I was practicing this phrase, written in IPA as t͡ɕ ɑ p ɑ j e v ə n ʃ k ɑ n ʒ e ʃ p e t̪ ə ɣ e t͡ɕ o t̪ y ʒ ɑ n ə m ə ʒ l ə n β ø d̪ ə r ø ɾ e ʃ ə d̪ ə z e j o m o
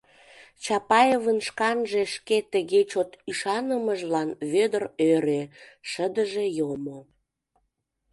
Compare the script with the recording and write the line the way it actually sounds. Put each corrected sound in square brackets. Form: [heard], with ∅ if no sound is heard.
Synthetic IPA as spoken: t͡ɕ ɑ p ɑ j e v ə n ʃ k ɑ n ʒ e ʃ [k] e t̪ ə ɣ e t͡ɕ o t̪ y [ʃ] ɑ n ə m ə ʒ l [ɑ] n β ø d̪ ə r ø ɾ e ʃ ə d̪ ə [ʒ] e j o m o